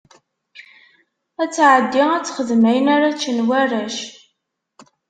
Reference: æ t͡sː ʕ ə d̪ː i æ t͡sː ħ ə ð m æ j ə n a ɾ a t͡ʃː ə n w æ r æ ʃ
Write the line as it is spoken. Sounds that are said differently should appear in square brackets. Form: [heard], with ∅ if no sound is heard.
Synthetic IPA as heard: æ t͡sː ʕ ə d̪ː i æ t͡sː [χ] ə ð m æ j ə n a ɾ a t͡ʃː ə n w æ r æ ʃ